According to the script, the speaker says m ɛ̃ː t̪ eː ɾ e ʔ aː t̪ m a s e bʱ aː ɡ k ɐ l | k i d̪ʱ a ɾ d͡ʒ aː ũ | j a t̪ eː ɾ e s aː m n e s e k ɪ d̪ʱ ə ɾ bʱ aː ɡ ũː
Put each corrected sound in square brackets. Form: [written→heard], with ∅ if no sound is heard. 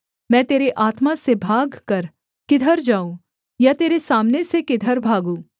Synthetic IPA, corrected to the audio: m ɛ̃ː t̪ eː ɾ e ʔ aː t̪ m a s e bʱ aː ɡ k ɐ [l→ɾ] | k [i→ɪ] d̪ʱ [a→ə] ɾ d͡ʒ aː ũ | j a t̪ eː ɾ e s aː m n e s e k ɪ d̪ʱ ə ɾ bʱ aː ɡ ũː